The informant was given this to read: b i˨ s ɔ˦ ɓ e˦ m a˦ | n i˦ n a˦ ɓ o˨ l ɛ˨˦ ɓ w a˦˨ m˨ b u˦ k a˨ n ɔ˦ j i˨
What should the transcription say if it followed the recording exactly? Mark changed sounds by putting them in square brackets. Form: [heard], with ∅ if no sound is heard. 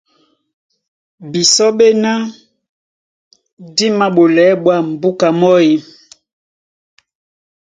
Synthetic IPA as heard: b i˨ s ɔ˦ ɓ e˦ [n] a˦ | [d] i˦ [m] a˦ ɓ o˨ l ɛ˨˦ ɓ w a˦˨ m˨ b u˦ k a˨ [m] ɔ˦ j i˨